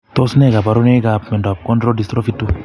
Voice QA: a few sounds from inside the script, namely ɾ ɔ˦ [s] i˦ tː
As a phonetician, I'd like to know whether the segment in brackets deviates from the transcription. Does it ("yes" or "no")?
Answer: yes